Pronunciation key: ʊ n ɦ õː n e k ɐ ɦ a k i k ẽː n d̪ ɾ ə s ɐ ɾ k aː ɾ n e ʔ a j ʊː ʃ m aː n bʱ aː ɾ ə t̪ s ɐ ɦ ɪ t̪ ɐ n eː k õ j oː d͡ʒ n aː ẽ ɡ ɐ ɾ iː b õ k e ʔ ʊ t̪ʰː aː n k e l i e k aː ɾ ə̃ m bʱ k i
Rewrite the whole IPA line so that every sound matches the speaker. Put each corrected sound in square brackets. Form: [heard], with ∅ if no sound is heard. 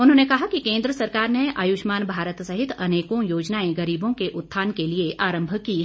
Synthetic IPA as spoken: ʊ n ɦ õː n e k ɐ ɦ a k i k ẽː n d̪ ɾ ə s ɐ ɾ k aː ɾ n e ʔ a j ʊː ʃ m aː n bʱ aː ɾ ə t̪ s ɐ ɦ ɪ t̪ ɐ n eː k õ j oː d͡ʒ n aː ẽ ɡ ɐ ɾ iː b õ k e ʔ ʊ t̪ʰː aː n k e l i e [ʔ] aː ɾ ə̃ m bʱ k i